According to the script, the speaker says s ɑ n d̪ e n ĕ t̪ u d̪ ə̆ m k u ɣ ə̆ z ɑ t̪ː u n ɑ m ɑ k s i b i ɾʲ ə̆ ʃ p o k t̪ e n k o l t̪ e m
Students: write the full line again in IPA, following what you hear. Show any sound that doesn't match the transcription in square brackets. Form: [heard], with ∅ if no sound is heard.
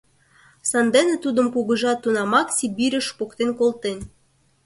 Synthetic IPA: s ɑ n d̪ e n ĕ t̪ u d̪ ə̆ m k u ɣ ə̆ [ʒ] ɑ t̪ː u n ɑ m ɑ k s i b i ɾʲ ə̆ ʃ p o k t̪ e n k o l t̪ e [n]